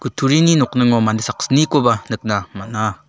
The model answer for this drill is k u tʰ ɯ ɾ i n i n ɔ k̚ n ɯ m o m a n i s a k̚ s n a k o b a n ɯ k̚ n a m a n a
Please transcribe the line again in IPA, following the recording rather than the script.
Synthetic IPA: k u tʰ u ɾ i n i n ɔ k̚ n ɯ ŋ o m a n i s a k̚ s n i k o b a n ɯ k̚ n a m a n a